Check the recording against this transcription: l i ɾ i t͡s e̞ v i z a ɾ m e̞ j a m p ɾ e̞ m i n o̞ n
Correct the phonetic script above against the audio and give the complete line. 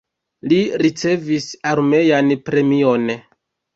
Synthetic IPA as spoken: l i ɾ i t͡s e̞ v i s a ɾ m e̞ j a n p ɾ e̞ m i o̞ n